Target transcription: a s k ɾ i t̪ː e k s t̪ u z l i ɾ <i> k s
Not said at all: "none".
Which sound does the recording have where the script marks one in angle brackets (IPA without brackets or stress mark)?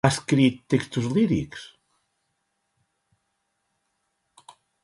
i